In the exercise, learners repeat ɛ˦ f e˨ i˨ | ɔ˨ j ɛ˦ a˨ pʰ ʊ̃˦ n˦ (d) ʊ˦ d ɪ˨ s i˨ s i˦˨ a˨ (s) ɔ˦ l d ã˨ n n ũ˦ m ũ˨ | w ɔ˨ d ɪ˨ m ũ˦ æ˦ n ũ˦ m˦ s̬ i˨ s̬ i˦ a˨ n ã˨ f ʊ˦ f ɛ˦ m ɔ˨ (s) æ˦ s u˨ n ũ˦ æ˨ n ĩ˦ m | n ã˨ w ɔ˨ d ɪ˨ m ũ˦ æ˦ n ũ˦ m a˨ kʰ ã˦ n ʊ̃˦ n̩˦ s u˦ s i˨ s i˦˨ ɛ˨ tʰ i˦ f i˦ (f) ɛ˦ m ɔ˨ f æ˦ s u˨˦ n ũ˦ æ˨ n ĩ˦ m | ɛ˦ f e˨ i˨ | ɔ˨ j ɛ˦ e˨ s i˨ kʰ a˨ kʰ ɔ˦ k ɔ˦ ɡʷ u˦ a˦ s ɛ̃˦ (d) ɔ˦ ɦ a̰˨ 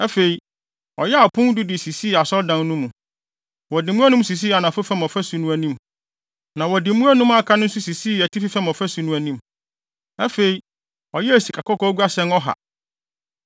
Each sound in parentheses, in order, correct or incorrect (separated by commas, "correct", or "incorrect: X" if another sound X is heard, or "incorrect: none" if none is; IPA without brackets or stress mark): correct, correct, incorrect: f, correct, incorrect: n